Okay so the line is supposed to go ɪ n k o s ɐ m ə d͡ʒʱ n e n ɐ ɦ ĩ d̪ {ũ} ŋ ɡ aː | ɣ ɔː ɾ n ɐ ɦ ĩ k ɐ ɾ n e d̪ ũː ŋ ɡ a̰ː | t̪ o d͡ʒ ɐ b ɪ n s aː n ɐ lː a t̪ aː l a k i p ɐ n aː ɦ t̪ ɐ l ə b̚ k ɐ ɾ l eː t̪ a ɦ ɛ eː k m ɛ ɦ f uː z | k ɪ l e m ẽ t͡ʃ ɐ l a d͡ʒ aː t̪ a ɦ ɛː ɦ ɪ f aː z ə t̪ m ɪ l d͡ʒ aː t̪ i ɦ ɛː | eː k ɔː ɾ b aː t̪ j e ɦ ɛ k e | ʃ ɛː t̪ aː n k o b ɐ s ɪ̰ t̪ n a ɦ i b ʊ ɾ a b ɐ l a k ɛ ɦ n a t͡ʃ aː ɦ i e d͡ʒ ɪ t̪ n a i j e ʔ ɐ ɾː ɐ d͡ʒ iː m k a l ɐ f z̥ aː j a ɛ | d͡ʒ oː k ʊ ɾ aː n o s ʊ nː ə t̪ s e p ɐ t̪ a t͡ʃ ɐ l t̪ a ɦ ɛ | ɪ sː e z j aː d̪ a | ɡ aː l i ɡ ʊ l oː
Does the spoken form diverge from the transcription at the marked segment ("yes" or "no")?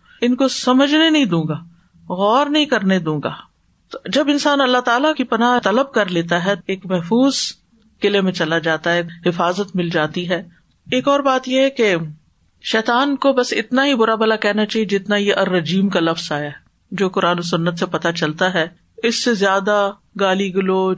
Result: yes